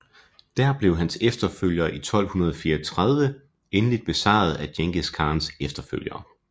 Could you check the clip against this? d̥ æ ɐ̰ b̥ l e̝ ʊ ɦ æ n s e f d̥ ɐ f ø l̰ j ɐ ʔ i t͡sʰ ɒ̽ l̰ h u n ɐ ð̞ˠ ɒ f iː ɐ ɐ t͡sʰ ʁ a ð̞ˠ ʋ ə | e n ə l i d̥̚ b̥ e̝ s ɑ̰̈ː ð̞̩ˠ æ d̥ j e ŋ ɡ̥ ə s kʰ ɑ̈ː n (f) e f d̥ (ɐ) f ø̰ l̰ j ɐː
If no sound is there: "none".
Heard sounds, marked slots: s, ɐ

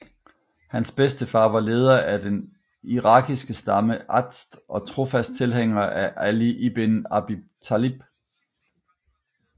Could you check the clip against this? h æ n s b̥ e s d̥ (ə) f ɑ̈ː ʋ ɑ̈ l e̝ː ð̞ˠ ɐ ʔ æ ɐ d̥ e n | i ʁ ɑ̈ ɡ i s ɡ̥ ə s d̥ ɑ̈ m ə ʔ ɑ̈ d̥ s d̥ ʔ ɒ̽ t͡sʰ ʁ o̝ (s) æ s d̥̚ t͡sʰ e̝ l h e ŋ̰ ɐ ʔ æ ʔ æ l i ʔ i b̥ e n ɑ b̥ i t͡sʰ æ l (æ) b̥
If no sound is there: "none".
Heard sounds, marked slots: ə, f, i

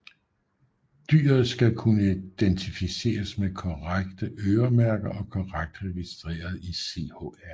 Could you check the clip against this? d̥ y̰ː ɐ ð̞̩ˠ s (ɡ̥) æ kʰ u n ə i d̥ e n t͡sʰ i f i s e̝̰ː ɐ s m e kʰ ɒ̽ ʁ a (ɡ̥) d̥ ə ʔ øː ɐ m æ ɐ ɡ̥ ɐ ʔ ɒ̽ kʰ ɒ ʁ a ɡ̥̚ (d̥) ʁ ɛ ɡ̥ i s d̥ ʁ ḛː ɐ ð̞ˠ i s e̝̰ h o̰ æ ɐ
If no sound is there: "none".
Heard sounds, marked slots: ɡ̥, ɡ̥, d̥

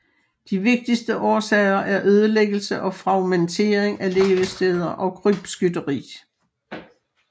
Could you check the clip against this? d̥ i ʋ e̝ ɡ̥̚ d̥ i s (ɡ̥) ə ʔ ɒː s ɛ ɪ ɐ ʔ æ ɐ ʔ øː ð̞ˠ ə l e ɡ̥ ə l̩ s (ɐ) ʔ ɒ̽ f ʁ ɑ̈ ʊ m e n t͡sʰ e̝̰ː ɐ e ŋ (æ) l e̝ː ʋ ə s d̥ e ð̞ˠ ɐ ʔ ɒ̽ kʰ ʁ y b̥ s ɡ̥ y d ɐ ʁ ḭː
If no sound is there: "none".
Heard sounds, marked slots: d̥, ə, æ

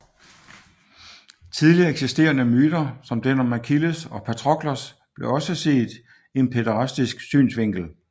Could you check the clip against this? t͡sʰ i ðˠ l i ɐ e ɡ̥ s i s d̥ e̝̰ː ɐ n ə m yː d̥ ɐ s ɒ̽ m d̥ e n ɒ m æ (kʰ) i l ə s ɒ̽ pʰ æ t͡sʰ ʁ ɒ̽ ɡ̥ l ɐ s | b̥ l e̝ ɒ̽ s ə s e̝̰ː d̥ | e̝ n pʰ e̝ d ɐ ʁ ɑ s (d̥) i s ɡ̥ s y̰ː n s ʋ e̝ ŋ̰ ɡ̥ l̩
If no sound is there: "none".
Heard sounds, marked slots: kʰ, d̥

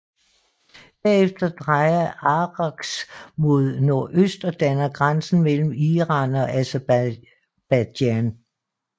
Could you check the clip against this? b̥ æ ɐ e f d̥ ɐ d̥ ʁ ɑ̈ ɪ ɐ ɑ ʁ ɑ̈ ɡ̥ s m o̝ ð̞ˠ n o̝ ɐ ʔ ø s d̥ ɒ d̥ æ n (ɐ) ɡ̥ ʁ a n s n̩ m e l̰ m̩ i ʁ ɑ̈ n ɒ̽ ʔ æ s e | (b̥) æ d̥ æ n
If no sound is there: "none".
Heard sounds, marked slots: ɐ, b̥

